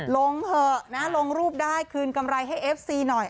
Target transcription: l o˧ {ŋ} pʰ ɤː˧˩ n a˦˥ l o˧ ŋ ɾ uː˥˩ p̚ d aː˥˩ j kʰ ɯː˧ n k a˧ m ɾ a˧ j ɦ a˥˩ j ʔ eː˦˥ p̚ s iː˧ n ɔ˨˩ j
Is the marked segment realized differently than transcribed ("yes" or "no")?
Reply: no